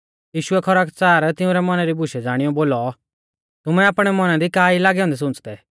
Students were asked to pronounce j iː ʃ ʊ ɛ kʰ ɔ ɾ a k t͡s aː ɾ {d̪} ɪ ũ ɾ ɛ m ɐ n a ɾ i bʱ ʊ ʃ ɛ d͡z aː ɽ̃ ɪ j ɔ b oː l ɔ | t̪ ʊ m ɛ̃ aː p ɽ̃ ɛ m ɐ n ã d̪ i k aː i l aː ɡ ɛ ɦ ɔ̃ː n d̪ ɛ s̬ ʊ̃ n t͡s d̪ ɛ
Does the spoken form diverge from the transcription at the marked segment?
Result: yes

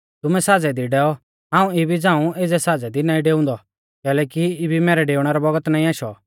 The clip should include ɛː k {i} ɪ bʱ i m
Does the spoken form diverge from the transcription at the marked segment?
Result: no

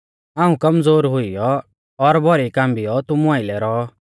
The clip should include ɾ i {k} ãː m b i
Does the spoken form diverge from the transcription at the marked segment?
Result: no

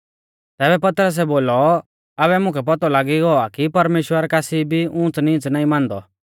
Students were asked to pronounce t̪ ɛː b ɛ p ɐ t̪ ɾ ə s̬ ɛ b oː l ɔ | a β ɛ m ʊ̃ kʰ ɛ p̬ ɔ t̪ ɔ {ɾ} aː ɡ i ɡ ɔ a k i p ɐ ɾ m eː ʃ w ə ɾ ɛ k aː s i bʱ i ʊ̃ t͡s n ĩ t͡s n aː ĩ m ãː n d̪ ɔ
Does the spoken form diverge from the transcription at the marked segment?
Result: yes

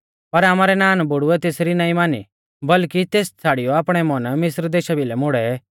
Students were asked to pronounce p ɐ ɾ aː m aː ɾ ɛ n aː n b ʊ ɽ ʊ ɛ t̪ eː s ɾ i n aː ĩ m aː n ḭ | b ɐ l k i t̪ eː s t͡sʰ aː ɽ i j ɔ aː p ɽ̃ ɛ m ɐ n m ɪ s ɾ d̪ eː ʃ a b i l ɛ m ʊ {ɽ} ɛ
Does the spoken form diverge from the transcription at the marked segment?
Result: no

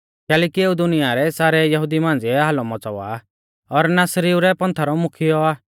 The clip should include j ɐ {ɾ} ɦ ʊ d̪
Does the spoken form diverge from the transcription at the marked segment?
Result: yes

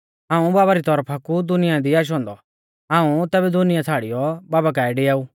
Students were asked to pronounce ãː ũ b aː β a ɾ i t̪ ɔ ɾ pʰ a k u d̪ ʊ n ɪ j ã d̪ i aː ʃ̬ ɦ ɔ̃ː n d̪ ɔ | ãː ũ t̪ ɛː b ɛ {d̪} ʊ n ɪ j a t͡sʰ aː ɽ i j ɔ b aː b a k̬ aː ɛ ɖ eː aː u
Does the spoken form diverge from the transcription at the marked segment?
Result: no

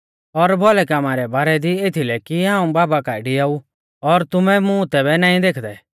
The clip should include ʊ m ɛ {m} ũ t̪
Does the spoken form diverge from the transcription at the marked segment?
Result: no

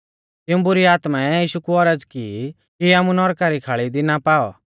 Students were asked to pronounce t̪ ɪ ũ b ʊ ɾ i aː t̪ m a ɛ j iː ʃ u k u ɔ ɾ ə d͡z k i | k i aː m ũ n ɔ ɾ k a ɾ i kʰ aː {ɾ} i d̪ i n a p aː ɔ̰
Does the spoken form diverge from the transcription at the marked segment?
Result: yes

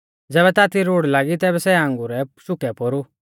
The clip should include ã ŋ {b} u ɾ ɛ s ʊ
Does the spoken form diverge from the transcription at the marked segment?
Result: yes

